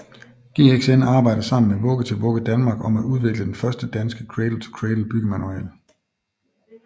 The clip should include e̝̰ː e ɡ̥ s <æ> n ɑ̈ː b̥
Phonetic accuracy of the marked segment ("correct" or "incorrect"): incorrect